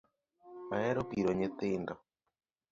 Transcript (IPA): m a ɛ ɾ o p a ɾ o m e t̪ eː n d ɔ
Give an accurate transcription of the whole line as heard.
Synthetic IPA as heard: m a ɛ ɾ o p i ɾ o ɲ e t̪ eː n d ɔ